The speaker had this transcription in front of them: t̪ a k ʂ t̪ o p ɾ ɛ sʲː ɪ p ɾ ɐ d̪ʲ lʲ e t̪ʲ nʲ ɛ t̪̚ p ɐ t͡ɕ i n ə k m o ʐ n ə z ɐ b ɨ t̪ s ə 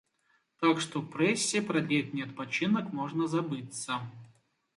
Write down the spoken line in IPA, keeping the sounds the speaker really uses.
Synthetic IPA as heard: t̪ a k ʂ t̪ o p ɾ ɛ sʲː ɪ p ɾ ɐ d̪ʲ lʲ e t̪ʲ nʲ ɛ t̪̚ p ɐ t͡ɕ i n ə k m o ʐ n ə z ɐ b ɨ t̪ s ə

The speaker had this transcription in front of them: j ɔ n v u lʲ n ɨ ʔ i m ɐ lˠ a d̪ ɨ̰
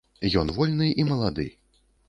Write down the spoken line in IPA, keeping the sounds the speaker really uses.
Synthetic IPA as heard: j ɔ n v ɔ lʲ n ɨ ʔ i m ɐ lˠ a d̪ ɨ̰

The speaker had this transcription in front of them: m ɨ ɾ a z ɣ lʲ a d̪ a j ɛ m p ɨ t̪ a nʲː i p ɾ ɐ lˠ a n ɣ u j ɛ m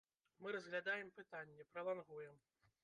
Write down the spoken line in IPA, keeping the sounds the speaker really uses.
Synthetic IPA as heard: m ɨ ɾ ɐ z ɣ lʲ a d̪ a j ɛ m p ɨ t̪ a nʲː ɛ p ɾ ɐ lˠ a n ɣ u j ɛ m

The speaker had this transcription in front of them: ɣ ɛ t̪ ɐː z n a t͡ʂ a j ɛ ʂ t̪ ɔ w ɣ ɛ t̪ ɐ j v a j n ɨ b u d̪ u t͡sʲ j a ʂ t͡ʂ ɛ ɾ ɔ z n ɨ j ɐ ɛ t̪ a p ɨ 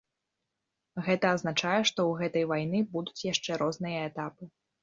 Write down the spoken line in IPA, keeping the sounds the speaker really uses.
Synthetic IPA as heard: ɣ ɛ t̪ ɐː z n a t͡ʂ a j ɛ ʂ t̪ ɔ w ɣ ɛ t̪ ɐ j v a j n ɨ b u d̪ u t͡sʲ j a ʂ t͡ʂ ɛ ɾ ɔ z n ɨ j ɐ ɛ t̪ a p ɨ

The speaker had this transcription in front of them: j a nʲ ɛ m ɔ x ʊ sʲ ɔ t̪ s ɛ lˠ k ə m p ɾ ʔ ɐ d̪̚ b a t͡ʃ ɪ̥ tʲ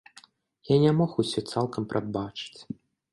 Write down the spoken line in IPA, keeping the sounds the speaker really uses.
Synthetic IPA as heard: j a nʲ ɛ m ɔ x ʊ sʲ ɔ t̪ s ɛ lˠ k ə m p ɾ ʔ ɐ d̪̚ b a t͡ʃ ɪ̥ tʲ

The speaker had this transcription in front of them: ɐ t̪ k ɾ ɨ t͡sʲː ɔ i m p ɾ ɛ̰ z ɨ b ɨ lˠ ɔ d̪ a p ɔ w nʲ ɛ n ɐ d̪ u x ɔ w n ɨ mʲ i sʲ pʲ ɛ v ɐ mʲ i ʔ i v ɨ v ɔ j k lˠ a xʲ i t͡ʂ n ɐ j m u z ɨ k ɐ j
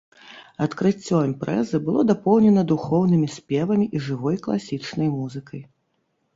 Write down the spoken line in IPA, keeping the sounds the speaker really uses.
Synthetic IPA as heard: ɐ t̪ k ɾ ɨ t͡sʲː ɔ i m p ɾ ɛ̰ z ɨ b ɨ lˠ ɔ d̪ a p ɔ w nʲ ɛ n ɐ d̪ u x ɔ w n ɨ mʲ i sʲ pʲ ɛ v ɐ mʲ i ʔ i ʐ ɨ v ɔ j k lˠ a sʲ i t͡ʂ n ɐ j m u z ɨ k ɐ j

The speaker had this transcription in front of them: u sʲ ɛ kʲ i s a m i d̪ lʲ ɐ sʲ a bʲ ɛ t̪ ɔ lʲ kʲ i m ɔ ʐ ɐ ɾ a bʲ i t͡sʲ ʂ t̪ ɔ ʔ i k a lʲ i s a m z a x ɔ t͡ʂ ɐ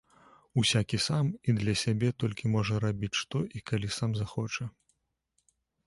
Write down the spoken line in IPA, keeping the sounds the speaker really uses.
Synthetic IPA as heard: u sʲ a kʲ i s a m i d̪ lʲ ɐ sʲ a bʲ ɛ t̪ ɔ lʲ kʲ i m ɔ ʐ ɐ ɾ a bʲ i t͡sʲ ʂ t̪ ɔ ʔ i k a lʲ i s a m z a x ɔ t͡ʂ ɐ

